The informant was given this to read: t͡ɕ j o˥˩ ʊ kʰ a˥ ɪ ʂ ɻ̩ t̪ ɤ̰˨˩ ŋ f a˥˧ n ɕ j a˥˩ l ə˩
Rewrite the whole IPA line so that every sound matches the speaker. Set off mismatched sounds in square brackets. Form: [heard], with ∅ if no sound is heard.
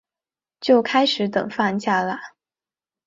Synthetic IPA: t͡ɕ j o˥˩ ʊ kʰ a˥ ɪ ʂ ɻ̩ t̪ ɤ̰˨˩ ŋ f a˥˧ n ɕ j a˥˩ l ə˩